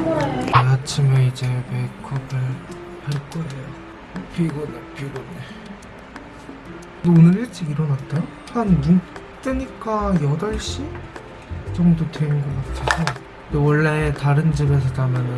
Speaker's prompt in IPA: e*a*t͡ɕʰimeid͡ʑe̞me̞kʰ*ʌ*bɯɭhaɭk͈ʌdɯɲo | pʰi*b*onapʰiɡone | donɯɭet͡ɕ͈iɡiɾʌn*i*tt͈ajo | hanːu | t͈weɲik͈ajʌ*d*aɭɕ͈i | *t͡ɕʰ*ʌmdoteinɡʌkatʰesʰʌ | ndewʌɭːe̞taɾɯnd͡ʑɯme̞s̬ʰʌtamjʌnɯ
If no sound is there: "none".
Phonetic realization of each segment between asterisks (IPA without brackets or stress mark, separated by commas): a, ʌ, ɡ, a, d, t͡ɕ